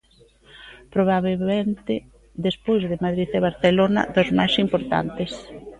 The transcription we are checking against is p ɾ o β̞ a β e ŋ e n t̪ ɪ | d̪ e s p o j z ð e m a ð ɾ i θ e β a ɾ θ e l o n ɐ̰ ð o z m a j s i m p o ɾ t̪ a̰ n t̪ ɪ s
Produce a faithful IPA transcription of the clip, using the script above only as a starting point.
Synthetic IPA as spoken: p ɾ o β̞ a β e m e n t̪ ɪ | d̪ e s p o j z ð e m a ð ɾ i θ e β a ɾ θ e l o n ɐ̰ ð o z m a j s i m p o ɾ t̪ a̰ n t̪ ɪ s

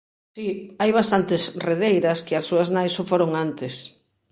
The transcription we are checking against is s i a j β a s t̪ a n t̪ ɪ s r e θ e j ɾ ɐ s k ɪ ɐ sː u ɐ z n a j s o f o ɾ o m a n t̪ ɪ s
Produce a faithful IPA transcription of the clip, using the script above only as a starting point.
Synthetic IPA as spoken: s i a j β a s t̪ a n t̪ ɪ s r e ð e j ɾ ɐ s k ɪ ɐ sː u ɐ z n a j s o f o ɾ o ŋ a n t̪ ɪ s

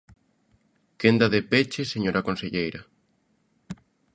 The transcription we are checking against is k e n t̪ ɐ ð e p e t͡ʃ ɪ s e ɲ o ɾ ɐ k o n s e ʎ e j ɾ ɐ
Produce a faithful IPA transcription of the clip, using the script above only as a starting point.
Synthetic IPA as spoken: k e n d̪ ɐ ð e p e t͡ʃ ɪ s e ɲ o ɾ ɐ k o n s e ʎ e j ɾ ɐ

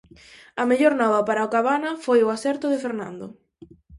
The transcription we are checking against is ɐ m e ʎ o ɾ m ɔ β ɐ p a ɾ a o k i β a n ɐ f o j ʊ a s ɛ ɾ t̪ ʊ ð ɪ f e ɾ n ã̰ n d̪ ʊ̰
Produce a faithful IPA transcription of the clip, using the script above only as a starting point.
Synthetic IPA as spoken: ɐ m e ʎ o ɾ n ɔ β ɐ p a ɾ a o k a β a n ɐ f o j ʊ a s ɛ ɾ t̪ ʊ ð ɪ f e ɾ n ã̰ n d̪ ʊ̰

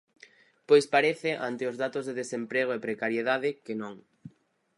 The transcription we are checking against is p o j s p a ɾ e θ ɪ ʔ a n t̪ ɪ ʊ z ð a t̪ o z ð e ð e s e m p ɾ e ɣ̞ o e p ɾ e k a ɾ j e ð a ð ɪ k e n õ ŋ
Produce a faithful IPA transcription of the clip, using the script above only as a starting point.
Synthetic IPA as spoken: p o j s p a ɾ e θ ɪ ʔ a n t̪ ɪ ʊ z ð a t̪ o z ð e ð e s e m p ɾ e ɣ̞ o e p ɾ e k a ɾ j e ð a ð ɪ k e n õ ŋ

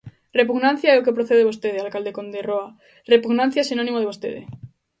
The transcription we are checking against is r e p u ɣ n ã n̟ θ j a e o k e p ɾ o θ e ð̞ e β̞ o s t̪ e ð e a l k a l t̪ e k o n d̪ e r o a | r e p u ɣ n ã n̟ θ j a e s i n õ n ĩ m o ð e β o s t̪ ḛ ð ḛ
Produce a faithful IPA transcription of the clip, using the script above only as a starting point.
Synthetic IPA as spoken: r e p u ɣ n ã n̟ θ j a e o k e p ɾ o θ e ð̞ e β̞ o s t̪ e ð e a l k a l d̪ e k o n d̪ e r o a | r e p u ɣ n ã n̟ θ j a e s i n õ n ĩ m o ð e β o s t̪ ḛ ð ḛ

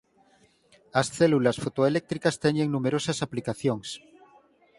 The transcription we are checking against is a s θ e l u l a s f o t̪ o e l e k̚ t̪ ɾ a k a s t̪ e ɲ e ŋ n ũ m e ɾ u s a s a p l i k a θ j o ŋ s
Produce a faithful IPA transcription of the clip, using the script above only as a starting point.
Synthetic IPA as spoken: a s θ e l u l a s f o t̪ o e l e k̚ t̪ ɾ i k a s t̪ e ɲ e ŋ n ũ m e ɾ o s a s a p l i k a θ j o ŋ s

